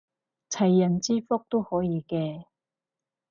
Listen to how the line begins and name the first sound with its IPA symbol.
t͡sʰ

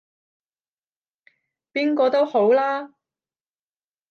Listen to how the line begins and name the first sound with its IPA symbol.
p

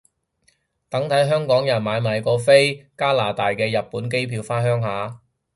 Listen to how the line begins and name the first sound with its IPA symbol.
t̪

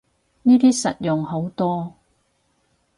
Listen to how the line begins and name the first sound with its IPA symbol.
n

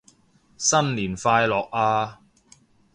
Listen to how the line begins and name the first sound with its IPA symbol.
s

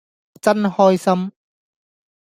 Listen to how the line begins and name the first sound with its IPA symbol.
t͡s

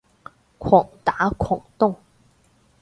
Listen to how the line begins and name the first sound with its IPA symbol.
kʰ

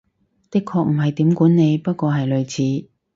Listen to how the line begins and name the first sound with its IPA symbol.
t̪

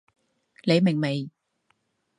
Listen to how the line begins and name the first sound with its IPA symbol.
l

